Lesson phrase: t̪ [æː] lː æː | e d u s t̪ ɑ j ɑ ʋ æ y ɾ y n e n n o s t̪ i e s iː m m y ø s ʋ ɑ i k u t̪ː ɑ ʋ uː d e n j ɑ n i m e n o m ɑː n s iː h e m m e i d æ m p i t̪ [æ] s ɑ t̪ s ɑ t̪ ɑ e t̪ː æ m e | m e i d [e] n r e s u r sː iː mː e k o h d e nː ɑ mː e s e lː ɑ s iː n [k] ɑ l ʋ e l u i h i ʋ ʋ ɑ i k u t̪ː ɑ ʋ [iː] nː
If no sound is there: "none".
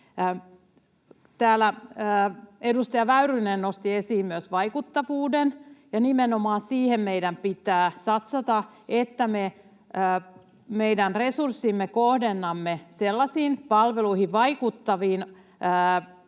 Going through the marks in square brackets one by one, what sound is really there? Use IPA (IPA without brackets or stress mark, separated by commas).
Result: æː, æː, æ, p, iː